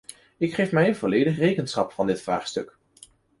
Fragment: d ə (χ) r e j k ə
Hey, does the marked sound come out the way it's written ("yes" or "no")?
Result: yes